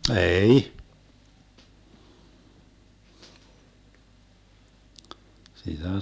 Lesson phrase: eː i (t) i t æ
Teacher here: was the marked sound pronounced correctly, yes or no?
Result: no